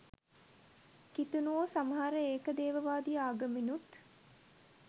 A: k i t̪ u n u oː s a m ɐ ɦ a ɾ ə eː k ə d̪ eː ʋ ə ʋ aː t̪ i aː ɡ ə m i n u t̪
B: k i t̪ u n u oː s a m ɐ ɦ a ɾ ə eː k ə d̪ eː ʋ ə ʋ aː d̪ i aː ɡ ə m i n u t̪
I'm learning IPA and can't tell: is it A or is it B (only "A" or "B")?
B